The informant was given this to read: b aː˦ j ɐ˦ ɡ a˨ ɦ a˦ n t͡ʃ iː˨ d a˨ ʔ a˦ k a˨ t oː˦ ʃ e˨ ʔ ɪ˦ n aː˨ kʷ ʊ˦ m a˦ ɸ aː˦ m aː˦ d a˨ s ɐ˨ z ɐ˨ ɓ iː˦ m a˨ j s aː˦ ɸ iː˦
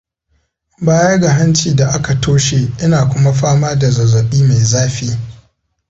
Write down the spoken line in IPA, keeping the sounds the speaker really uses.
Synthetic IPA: b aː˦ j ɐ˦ ɡ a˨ ɦ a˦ n t͡ʃ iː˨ d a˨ ʔ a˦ k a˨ t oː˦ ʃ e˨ ʔ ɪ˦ n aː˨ kʷ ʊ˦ m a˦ ɸ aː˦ m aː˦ d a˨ z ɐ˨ z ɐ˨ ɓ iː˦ m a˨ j z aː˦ ɸ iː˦